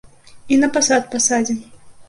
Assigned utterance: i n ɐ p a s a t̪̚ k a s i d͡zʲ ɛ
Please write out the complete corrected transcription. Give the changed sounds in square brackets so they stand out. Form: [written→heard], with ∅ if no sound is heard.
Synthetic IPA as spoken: i n ɐ p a s a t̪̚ [k→p] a s [i→a] d͡zʲ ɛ